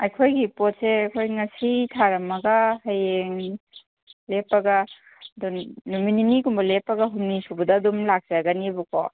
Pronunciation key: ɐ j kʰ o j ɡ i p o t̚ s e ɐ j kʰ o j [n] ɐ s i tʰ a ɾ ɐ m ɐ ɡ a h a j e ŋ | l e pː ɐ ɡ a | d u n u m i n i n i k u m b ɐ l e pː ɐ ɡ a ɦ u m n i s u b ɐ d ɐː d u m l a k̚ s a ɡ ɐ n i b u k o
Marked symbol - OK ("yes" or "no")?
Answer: no